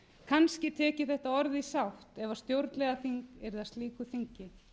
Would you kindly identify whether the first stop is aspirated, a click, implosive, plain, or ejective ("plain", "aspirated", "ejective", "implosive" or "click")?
aspirated